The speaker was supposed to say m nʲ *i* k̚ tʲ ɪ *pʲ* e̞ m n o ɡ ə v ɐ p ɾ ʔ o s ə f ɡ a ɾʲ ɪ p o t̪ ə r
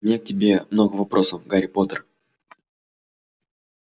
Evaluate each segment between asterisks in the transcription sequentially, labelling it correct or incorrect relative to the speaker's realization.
incorrect: e, incorrect: bʲ

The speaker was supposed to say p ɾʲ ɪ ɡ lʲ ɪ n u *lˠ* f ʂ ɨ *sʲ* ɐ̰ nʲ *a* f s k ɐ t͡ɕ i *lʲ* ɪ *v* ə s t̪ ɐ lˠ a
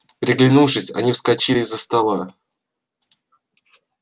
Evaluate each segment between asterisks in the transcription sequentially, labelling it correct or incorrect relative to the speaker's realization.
incorrect: none, correct, incorrect: i, correct, incorrect: z

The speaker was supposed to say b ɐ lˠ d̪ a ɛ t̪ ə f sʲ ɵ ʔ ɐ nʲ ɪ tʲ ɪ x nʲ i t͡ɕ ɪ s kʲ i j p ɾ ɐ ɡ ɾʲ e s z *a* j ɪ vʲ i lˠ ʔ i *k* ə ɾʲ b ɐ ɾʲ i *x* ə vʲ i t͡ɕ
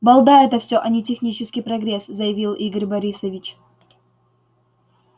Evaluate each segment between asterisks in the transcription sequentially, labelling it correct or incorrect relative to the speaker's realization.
incorrect: ə, incorrect: ɡ, incorrect: s

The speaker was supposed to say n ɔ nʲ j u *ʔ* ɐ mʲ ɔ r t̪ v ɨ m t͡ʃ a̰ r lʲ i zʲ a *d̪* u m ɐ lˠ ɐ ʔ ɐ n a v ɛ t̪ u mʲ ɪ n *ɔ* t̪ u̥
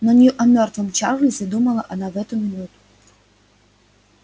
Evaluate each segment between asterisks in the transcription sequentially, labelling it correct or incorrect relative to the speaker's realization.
correct, correct, incorrect: u

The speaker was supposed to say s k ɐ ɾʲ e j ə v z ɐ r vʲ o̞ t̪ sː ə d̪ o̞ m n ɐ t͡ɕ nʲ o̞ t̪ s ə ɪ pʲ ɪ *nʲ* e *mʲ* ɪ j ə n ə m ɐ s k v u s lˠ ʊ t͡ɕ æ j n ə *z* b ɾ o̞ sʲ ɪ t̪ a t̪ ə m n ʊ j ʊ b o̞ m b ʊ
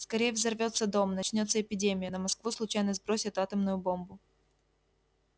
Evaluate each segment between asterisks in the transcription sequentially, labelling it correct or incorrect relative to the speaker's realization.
incorrect: dʲ, correct, correct

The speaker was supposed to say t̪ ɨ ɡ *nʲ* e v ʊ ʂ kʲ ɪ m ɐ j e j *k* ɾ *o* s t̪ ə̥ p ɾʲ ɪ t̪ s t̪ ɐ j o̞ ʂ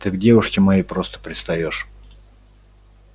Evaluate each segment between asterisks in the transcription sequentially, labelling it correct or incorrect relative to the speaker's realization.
incorrect: dʲ, incorrect: p, correct

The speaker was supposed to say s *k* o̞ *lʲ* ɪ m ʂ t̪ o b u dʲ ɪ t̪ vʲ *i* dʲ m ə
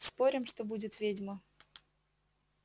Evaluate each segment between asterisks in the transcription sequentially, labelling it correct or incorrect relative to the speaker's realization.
incorrect: p, incorrect: ɾʲ, incorrect: e

